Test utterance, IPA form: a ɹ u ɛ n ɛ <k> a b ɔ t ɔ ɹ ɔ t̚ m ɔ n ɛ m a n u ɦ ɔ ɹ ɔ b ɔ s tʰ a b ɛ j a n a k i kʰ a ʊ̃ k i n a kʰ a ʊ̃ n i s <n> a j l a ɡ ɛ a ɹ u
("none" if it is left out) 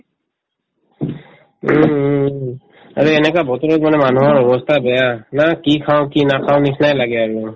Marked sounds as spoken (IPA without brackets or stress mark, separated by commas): k, n